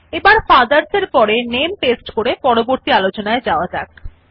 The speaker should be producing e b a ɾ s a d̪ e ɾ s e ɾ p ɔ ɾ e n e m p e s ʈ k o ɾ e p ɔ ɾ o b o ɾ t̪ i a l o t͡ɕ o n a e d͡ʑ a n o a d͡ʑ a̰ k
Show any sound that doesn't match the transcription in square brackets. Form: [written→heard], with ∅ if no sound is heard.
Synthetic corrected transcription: e b a ɾ [s→f] a d̪ [e→a] ɾ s e ɾ p ɔ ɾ e n e m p e s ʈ k o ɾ e p ɔ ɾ o b o ɾ t̪ i a l o t͡ɕ o n a e d͡ʑ a [n→∅] o a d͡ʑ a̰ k